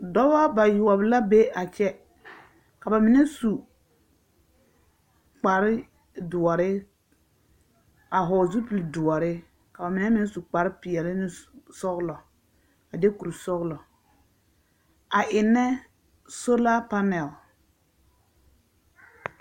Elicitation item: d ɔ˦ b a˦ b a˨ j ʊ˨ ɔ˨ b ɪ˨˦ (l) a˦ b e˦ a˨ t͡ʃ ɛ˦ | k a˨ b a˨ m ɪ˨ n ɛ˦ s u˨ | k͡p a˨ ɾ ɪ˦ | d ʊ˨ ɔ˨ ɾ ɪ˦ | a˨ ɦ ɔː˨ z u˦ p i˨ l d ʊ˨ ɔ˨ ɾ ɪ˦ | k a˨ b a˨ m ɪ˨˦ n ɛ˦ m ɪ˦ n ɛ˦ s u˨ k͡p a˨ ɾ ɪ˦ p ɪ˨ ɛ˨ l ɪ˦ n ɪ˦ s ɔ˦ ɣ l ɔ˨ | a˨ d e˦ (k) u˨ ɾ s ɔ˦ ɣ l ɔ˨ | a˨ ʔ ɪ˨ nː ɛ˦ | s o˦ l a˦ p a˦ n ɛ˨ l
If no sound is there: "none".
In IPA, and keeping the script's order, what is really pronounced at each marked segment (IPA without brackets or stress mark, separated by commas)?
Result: l, k